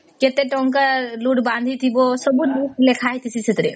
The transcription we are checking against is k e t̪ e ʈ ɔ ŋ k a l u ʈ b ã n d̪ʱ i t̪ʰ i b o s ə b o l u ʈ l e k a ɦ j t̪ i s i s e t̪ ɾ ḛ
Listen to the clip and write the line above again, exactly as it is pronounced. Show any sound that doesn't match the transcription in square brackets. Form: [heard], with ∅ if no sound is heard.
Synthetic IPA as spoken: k e t̪ e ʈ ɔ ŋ k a l u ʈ b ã n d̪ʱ i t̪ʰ i b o s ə b [u] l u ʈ l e [kʰ] a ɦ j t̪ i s i s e t̪ ɾ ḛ

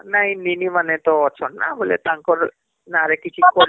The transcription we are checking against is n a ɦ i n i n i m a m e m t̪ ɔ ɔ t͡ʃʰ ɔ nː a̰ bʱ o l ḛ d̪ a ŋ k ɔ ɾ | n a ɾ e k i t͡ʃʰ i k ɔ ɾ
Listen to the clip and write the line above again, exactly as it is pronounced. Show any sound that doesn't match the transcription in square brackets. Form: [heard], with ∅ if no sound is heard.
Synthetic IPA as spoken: n a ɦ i n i n i m a [n] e [∅] t̪ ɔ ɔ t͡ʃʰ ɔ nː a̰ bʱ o l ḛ [t̪] a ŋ k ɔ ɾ | n a ɾ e k i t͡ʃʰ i k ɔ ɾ

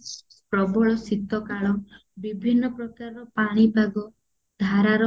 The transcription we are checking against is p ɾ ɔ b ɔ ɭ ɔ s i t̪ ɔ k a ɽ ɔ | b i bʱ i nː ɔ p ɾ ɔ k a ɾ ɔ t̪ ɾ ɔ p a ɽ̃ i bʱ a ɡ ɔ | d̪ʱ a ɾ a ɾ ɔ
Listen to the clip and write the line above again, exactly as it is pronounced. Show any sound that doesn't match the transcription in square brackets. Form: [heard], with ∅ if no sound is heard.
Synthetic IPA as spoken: p ɾ ɔ b ɔ ɭ ɔ s i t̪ ɔ k a [ɭ] ɔ | b i bʱ i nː ɔ p ɾ ɔ k a ɾ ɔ [∅] ɾ ɔ p a ɽ̃ i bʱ a ɡ ɔ | d̪ʱ a ɾ a ɾ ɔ

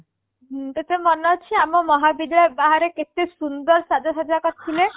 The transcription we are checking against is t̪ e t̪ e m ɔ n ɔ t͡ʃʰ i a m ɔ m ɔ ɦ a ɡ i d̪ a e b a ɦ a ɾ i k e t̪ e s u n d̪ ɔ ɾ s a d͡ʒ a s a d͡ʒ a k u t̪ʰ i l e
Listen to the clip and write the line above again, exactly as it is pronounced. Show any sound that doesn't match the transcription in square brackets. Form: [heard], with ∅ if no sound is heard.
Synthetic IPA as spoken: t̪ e t̪ e m ɔ n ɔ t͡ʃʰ i a m ɔ m ɔ ɦ a [b] i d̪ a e b a ɦ a ɾ [e] k e t̪ e s u n d̪ ɔ ɾ s a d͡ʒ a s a d͡ʒ a k [ɔ] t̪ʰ i l e

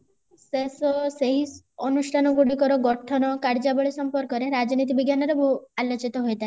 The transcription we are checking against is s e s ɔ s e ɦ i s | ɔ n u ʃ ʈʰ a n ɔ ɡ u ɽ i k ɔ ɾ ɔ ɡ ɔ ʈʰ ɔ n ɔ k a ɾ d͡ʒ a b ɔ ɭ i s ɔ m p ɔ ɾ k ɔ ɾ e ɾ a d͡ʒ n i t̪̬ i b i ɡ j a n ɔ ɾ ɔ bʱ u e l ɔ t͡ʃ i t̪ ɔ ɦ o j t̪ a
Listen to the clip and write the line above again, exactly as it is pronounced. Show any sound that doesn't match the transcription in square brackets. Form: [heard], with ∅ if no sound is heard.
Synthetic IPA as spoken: s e s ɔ s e ɦ i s | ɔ n u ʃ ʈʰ a n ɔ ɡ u ɽ i k ɔ ɾ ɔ ɡ ɔ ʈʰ ɔ n ɔ k a ɾ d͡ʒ a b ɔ ɭ i s ɔ m p ɔ ɾ k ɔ ɾ e ɾ a d͡ʒ n i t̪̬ i b i ɡ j a n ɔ ɾ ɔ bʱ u [a] l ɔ t͡ʃ i t̪ ɔ ɦ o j t̪ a

